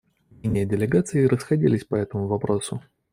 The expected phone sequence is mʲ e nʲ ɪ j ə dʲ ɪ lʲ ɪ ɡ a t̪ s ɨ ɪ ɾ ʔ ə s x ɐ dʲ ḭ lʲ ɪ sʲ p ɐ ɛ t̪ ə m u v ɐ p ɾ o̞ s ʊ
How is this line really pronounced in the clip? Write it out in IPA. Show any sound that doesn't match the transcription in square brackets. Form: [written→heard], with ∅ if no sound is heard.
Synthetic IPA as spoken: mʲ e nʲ ɪ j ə dʲ ɪ lʲ ɪ ɡ a t̪ s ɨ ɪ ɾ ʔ ə s x ɐ dʲ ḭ lʲ ɪ sʲ p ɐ ɛ t̪ ə m [u→ʊ] v ɐ p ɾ o̞ s ʊ